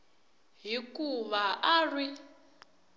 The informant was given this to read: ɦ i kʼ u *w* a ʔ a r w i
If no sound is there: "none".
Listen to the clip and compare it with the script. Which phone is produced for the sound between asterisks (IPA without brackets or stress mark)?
β